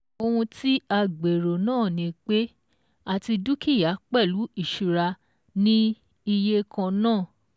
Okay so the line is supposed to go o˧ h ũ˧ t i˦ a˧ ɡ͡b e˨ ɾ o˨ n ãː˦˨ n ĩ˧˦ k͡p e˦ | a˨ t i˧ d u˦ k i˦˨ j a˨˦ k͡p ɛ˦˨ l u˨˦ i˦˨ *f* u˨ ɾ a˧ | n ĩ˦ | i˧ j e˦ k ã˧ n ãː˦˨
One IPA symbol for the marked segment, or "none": ʃ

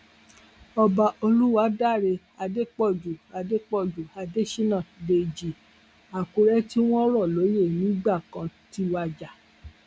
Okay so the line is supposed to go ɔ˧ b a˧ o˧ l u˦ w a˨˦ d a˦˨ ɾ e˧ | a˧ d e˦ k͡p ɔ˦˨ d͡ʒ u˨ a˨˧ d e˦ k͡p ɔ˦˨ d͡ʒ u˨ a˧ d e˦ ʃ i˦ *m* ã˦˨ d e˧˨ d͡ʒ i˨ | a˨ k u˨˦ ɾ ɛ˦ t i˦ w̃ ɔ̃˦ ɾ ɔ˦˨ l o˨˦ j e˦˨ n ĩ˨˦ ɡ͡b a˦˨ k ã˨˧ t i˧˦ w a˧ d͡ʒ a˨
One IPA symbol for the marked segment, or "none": n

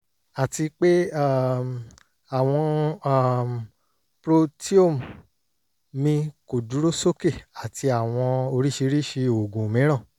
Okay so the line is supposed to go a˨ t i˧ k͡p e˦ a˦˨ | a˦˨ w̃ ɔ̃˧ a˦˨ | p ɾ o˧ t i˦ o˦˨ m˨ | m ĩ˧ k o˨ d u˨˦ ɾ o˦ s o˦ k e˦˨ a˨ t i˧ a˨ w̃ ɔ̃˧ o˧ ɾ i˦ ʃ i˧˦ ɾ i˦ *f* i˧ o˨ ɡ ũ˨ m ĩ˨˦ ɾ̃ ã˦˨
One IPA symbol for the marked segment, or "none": ʃ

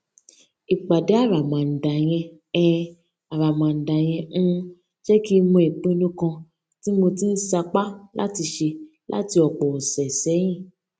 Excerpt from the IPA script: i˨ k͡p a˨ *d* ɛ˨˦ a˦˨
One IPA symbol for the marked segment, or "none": d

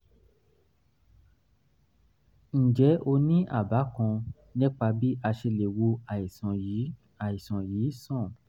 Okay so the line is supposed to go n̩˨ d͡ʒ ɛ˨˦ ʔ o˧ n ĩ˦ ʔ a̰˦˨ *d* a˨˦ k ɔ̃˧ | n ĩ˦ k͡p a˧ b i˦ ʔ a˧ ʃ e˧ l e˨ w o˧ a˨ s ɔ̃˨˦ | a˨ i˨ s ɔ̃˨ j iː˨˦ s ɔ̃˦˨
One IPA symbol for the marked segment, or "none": b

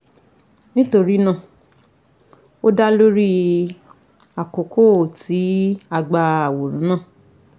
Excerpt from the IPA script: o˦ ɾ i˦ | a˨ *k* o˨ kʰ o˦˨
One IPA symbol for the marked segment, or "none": k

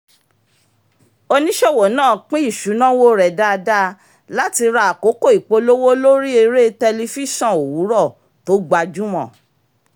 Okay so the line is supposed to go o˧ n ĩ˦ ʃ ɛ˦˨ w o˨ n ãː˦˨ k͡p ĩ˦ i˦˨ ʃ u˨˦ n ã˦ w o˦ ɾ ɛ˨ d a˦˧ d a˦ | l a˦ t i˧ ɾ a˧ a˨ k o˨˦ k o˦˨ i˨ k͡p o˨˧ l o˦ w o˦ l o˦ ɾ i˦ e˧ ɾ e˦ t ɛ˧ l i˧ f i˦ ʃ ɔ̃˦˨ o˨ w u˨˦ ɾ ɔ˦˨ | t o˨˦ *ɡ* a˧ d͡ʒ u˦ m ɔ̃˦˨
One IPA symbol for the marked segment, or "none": ɡ͡b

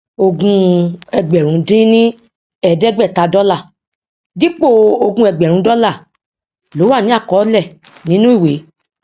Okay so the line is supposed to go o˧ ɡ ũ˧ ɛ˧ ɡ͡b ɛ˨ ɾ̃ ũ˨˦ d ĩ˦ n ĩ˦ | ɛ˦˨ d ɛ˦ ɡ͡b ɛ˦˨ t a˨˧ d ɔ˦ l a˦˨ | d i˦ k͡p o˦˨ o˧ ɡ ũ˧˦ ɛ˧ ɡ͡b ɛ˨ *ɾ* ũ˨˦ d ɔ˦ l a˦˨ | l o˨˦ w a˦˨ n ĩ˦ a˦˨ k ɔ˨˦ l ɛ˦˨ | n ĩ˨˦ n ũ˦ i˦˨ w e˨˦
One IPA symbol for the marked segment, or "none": ɾ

